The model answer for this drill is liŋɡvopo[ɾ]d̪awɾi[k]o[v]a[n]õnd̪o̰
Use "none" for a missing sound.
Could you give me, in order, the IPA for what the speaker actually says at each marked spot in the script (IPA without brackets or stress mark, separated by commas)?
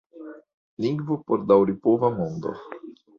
ɾ, p, v, m